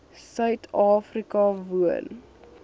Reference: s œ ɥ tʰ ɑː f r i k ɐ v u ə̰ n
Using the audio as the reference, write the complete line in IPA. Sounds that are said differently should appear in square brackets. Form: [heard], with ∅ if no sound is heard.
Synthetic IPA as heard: s œ ɥ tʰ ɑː f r i k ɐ v u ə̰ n